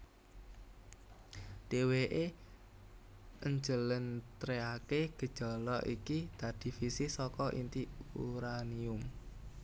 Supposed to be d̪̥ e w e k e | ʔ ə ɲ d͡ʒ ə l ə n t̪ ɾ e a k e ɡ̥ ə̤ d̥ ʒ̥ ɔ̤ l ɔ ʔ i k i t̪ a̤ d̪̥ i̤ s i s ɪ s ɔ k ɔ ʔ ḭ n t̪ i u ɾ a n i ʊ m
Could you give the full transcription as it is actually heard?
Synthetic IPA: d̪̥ e w e ʔ e | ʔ ə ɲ d͡ʒ ə l ə n t̪ ɾ e a k e ɡ̥ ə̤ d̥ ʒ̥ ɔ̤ l ɔ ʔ i k i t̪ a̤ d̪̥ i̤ f i s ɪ s ɔ k ɔ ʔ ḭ n t̪ i u ɾ a n i ʊ m

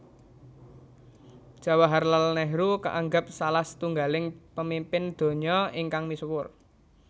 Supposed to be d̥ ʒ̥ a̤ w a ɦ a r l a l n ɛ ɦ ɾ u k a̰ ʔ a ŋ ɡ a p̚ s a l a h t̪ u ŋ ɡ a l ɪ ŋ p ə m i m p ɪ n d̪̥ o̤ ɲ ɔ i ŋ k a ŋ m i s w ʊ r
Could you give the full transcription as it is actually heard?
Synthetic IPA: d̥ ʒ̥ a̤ w a ɦ a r l a l n ɛ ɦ ɾ u k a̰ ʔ a ŋ ɡ a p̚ s a l a h t̪ u ŋ ɡ a l ɪ ŋ p ə m i m p ɪ n d̪̥ o̤ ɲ ɔ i ŋ k a ŋ m i s w ʊ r

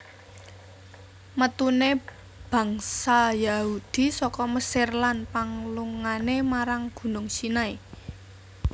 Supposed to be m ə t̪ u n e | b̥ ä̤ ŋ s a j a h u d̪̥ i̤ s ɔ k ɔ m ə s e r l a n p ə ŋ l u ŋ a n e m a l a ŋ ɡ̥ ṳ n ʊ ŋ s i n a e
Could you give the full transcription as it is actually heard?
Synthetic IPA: m ə t̪ u n e | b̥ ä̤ ŋ s a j a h u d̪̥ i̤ s ɔ k ɔ m ə s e r l a n p a ŋ l u ŋ a n e m a ɾ a ŋ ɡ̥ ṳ n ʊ ŋ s i n a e

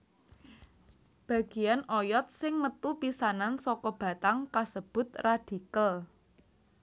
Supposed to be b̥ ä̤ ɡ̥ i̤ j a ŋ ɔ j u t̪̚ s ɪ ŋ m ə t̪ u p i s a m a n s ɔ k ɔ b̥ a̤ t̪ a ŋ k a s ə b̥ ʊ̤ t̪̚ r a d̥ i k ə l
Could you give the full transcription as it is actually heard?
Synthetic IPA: b̥ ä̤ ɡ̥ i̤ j a n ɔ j ɔ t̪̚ s ɪ ŋ m ə t̪ u p i s a n a n s ɔ k ɔ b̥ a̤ t̪ a ŋ k a s ə b̥ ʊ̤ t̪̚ r a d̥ i k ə l

